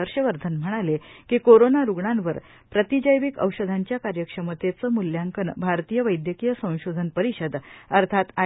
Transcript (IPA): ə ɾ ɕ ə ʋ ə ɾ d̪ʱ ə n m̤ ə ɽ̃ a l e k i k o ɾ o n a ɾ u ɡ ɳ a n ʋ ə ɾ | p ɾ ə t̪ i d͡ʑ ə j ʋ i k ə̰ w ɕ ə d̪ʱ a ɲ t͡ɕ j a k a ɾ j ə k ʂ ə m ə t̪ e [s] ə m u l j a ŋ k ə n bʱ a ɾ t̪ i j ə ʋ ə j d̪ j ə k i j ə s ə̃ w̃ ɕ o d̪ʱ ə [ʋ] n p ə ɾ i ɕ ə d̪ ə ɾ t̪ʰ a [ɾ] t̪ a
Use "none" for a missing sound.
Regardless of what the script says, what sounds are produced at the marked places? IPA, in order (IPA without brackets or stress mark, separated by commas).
t͡s, none, none